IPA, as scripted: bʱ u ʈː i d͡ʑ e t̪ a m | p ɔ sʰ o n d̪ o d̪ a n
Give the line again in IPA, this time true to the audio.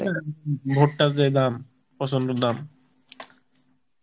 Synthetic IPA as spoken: bʱ o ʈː a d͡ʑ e d̪ a m | p ɔ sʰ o n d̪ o d̪ a m

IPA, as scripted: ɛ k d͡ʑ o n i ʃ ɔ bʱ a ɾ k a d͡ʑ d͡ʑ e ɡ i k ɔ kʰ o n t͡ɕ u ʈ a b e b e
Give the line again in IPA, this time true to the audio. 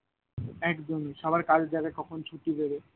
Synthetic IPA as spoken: ɛ k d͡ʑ o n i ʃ ɔ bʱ a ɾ k a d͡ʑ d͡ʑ a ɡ a k ɔ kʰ o n t͡ɕʰ u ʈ i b e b e

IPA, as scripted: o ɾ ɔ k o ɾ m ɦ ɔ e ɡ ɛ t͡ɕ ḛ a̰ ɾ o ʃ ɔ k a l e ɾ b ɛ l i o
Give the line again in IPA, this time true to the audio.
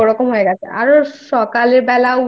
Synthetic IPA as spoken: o ɾ ɔ k o m ɦ o e ɡ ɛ t͡ɕʰ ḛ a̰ ɾ o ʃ ɔ k a l e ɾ b ɛ l a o

